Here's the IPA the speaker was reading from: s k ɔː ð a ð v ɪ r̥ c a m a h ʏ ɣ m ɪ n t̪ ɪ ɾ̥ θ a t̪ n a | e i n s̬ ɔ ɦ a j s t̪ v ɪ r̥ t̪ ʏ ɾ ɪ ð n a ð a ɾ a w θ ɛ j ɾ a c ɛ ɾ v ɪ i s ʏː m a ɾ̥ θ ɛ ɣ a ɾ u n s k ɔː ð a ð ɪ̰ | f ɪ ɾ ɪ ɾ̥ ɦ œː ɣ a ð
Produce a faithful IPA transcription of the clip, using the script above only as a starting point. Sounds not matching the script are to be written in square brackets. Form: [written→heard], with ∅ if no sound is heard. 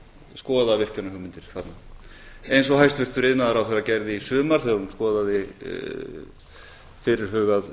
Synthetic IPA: s k ɔː ð a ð v ɪ r̥ c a [m→n] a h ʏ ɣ m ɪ n t̪ ɪ ɾ̥ θ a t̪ n a | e [i→j] n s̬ ɔ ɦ a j s t̪ v ɪ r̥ t̪ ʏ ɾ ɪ ð n a ð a ɾ a w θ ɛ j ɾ a c ɛ ɾ [v→ð] ɪ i s ʏː m a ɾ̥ θ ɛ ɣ a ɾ u n s k ɔː ð a ð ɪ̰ | f ɪ ɾ ɪ ɾ̥ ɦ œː ɣ a ð